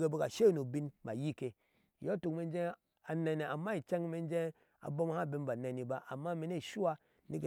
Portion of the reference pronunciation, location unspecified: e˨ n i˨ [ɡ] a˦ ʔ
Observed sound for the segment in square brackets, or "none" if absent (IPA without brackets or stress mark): b